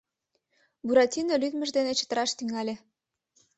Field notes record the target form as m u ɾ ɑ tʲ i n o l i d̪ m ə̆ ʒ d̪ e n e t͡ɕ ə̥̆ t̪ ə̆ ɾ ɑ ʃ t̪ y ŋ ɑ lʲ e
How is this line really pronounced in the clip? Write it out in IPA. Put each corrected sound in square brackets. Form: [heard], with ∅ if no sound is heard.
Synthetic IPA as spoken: [b] u ɾ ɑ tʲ i n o l [y] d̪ m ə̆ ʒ d̪ e n e t͡ɕ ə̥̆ t̪ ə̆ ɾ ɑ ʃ t̪ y ŋ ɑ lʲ e